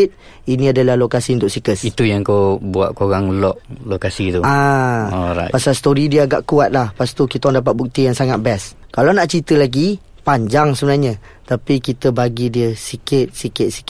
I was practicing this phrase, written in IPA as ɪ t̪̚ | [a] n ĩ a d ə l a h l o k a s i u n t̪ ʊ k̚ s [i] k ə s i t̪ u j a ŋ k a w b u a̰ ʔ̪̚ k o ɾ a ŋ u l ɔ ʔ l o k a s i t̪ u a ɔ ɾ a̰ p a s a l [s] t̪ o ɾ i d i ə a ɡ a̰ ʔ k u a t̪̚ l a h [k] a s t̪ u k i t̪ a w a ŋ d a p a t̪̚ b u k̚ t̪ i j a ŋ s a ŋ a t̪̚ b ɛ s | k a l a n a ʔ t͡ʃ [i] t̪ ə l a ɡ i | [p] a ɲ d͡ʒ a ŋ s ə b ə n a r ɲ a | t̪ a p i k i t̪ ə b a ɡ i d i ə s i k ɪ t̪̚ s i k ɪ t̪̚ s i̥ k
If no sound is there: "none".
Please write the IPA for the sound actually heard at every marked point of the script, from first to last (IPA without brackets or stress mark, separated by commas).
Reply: i, i, s, p, i, p